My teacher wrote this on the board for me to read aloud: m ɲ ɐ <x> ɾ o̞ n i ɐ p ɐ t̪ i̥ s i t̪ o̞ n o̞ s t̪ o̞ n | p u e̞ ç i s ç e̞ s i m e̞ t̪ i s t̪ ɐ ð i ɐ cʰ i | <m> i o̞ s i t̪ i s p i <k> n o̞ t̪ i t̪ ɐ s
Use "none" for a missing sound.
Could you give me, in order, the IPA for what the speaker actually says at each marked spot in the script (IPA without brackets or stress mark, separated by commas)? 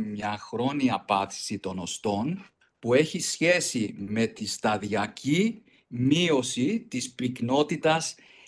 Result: x, m, k